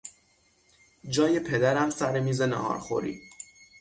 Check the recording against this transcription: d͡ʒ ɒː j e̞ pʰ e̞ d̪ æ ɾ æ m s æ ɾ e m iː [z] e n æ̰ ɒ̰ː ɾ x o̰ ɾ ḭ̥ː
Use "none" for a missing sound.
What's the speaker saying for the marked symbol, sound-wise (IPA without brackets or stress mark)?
z